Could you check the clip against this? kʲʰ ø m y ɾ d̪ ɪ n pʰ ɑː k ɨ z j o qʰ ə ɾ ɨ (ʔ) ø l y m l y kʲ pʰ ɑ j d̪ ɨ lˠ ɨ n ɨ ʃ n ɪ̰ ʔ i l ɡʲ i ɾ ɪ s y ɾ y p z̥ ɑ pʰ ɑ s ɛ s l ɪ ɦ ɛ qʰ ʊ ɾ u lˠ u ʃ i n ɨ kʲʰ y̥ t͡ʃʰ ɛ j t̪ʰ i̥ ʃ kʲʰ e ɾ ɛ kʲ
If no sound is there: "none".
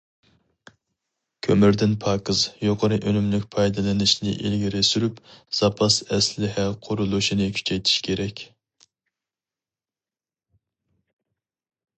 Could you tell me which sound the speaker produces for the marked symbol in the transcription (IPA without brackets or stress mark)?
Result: ʔ